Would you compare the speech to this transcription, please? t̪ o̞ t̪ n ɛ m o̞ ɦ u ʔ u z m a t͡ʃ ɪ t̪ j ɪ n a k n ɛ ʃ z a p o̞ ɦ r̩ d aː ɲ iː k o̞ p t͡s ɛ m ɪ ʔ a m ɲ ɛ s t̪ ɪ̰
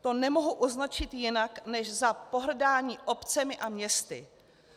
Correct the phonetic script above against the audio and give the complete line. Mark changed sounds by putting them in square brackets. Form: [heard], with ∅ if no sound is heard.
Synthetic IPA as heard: t̪ o̞ [∅] n ɛ m o̞ ɦ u ʔ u z [n] a t͡ʃ ɪ t̪ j ɪ n a k n ɛ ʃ z a p o̞ ɦ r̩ d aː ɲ iː [ʔ] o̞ p t͡s ɛ m ɪ ʔ a m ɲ ɛ s t̪ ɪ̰

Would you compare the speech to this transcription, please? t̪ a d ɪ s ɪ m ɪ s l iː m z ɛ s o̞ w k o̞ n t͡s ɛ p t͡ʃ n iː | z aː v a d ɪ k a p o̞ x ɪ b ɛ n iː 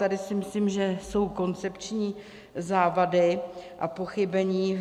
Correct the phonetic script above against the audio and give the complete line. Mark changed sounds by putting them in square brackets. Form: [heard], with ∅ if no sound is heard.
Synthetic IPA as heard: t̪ a d ɪ s ɪ m ɪ s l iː m [ʒ] ɛ s o̞ w k o̞ n t͡s ɛ p t͡ʃ [ɲ] iː | z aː v a d ɪ [ʔ] a p o̞ x ɪ b ɛ [ɲ] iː

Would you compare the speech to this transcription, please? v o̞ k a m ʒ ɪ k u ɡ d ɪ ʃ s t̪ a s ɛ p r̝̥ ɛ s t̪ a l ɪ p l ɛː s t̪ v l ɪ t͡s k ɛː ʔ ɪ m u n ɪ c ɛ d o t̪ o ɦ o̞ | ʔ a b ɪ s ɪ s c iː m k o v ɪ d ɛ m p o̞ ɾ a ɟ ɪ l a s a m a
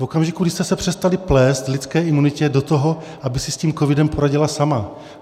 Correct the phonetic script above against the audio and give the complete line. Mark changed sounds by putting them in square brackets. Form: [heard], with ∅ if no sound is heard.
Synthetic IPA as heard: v o̞ k a m ʒ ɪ k u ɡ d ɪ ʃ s t̪ [ɛ] s ɛ p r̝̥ ɛ s t̪ a l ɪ p l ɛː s t̪ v l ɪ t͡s k ɛː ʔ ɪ m u n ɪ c ɛ d o t̪ o ɦ o̞ | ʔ a b ɪ s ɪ s c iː m k o v ɪ d ɛ m p o̞ ɾ a ɟ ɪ l a s a m a

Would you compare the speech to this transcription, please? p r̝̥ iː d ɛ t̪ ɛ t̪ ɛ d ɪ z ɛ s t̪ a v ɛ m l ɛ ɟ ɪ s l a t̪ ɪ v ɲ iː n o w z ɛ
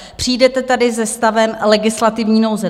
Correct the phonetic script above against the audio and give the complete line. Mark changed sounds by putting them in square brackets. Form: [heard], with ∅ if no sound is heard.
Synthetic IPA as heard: p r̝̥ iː d ɛ t̪ ɛ t̪ [a] d ɪ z ɛ s t̪ a v ɛ m l ɛ [ɡ] ɪ s l a t̪ ɪ v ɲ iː n o w z ɛ

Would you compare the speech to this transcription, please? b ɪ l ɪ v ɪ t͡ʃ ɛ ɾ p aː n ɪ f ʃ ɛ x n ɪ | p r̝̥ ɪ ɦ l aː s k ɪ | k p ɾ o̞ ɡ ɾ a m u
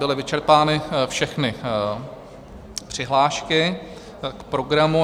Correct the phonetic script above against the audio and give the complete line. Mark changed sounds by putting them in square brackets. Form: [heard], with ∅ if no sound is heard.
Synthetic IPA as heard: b ɪ l ɪ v ɪ t͡ʃ ɛ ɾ p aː n ɪ f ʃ ɛ x n ɪ | p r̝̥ ɪ ɦ l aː [ʃ] k ɪ | k p ɾ o̞ ɡ ɾ a m u

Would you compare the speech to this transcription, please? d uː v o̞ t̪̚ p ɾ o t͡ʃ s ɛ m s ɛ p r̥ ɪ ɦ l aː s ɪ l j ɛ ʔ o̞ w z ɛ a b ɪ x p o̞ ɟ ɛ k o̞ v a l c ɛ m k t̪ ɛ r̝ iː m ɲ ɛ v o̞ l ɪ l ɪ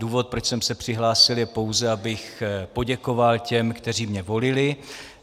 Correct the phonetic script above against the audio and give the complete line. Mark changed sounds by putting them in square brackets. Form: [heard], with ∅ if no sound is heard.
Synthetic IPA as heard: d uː v o̞ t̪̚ p ɾ o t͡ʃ s ɛ m s ɛ p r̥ ɪ ɦ l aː s ɪ l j ɛ [p] o̞ w z ɛ a b ɪ x p o̞ ɟ ɛ k o̞ v a l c ɛ m k t̪ ɛ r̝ iː m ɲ ɛ v o̞ l ɪ l ɪ

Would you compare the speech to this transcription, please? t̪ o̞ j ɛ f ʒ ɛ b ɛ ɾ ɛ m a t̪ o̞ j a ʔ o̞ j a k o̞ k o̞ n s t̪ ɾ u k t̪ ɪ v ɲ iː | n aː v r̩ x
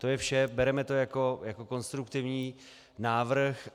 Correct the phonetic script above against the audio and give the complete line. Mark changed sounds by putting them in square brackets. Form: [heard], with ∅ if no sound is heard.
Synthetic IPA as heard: t̪ o̞ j ɛ f [ʃ] ɛ b ɛ ɾ ɛ m [ɛ] t̪ o̞ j a [k] o̞ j a k o̞ k o̞ n s t̪ ɾ u k t̪ ɪ v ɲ iː | n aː v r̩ x

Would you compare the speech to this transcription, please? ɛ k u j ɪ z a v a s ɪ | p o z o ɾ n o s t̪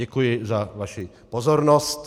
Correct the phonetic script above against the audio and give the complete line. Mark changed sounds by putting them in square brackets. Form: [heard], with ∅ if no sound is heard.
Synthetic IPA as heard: ɛ k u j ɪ z a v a [ʃ] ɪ | p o z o ɾ n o s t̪

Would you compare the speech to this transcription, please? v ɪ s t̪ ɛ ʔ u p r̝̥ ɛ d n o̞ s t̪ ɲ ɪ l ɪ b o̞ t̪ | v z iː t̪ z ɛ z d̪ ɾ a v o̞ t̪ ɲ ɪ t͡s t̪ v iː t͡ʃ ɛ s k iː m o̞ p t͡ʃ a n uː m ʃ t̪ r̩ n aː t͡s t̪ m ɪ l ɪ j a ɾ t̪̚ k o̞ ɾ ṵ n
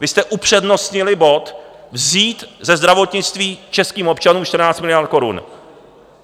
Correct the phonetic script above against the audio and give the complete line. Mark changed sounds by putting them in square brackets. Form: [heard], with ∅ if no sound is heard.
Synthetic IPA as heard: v ɪ s t̪ ɛ ʔ u p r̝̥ ɛ d n o̞ s t̪ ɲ ɪ l ɪ b o̞ t̪ | v z iː t̪ z ɛ z d̪ ɾ a v o̞ t̪ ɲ ɪ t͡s t̪ v iː t͡ʃ ɛ s k iː m o̞ p t͡ʃ a n uː m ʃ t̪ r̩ n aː t͡s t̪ m ɪ l ɪ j a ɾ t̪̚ k o̞ ɾ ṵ n

